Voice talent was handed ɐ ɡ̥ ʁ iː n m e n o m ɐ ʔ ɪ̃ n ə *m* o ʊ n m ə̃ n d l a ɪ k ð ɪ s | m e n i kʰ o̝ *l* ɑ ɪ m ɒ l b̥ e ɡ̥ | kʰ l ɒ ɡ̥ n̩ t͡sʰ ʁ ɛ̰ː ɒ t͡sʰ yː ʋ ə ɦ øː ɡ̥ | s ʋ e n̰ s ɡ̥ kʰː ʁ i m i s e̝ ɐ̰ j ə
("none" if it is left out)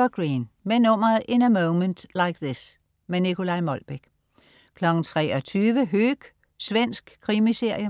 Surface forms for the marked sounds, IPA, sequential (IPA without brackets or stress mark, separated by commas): m, l